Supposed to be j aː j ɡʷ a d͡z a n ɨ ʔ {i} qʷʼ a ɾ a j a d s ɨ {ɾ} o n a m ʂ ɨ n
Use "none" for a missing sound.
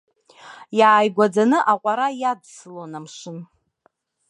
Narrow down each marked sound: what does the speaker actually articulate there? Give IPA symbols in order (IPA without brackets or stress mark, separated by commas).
a, l